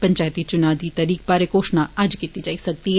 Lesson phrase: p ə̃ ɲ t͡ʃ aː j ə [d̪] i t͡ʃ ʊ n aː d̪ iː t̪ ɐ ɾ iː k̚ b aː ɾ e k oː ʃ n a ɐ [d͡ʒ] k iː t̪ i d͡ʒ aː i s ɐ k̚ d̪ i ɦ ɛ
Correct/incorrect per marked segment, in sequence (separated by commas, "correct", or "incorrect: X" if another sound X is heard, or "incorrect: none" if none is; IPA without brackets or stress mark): incorrect: t̪, correct